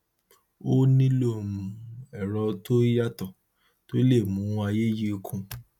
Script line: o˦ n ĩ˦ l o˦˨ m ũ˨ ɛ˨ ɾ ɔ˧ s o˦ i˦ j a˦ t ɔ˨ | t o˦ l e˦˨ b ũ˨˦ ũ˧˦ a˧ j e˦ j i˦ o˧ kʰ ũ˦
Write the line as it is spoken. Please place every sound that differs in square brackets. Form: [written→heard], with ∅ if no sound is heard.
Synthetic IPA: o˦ n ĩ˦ l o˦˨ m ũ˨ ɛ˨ ɾ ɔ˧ [s→t] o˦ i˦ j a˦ t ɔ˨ | t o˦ l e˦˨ [b→m] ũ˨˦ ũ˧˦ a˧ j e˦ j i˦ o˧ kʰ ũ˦